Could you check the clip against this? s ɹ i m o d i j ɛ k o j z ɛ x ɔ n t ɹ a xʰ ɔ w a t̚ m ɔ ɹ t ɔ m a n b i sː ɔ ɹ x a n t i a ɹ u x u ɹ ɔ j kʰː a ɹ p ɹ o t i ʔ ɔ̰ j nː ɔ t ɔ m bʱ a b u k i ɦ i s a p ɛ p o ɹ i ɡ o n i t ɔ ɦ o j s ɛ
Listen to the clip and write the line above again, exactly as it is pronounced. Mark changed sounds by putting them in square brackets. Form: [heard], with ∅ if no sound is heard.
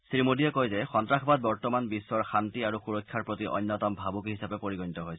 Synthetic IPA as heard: s ɹ i m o d i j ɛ k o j z ɛ x ɔ n t ɹ a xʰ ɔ [b] a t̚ [b] ɔ ɹ t ɔ m a n b i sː ɔ ɹ x a n t i a ɹ u x u ɹ ɔ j kʰː a ɹ p ɹ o t i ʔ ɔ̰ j nː ɔ t ɔ m bʱ a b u k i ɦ i s a p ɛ p o ɹ i ɡ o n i t ɔ ɦ o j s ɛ